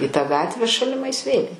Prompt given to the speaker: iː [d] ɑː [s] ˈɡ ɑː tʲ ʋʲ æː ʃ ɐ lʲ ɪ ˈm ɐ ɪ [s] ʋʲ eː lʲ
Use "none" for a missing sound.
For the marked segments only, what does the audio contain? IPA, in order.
t, none, s

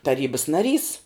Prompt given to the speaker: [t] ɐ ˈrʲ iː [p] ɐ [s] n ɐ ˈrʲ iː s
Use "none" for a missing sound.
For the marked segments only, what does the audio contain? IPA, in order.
t, b, s

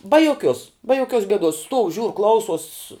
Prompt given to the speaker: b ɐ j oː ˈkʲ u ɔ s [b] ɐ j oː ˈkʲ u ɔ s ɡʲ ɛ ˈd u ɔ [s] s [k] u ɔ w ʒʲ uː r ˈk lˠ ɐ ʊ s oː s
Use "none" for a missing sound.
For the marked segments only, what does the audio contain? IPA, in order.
b, s, t

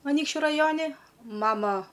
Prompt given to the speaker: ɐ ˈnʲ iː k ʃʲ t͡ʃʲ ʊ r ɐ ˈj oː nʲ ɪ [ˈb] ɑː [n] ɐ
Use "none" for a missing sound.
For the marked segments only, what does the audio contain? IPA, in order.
m, m

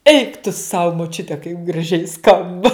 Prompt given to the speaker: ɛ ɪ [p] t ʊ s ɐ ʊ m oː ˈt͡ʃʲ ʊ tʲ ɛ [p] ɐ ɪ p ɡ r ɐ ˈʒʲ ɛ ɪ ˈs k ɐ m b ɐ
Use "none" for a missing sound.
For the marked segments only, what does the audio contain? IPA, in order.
k, k

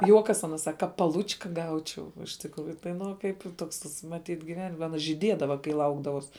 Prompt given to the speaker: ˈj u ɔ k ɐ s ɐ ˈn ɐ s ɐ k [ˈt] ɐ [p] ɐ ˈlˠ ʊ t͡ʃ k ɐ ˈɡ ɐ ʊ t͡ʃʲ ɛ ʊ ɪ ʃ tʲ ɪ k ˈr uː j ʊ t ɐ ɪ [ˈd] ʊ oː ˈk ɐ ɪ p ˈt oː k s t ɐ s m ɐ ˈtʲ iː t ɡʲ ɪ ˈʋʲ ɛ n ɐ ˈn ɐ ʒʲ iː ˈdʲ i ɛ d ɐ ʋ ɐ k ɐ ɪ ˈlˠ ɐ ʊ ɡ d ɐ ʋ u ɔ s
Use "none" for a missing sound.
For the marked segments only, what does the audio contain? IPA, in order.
k, p, n

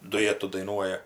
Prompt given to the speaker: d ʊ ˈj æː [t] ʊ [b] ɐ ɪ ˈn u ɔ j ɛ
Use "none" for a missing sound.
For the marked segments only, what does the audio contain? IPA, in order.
t, d

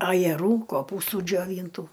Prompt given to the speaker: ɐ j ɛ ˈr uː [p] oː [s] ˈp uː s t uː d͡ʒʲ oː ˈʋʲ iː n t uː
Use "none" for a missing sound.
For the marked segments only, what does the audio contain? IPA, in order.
k, none

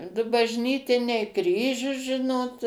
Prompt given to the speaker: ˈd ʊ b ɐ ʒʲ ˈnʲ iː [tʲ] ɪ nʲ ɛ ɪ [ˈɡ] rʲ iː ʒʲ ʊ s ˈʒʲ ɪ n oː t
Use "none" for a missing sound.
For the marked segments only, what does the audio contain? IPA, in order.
tʲ, k

